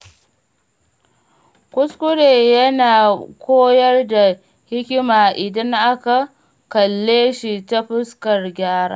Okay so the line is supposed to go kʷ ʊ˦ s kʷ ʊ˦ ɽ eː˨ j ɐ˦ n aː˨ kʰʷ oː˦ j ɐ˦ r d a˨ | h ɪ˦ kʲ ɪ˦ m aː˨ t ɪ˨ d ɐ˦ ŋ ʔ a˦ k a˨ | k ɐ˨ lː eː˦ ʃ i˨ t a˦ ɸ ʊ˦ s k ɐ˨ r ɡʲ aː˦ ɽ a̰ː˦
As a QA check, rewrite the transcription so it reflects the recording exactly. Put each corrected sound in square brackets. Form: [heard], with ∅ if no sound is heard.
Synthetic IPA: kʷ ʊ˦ s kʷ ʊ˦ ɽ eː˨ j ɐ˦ n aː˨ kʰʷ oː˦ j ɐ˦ r d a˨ | h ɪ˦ kʲ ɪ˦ m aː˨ [ʔ] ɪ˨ d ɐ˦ ŋ ʔ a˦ k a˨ | k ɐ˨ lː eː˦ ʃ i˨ t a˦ ɸ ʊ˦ s k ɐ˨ r ɡʲ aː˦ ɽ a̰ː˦